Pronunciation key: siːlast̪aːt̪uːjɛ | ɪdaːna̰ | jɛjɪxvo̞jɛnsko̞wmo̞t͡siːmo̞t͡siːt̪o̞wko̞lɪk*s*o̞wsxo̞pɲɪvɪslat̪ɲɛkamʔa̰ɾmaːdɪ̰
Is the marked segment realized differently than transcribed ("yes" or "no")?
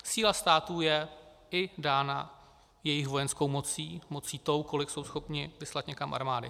no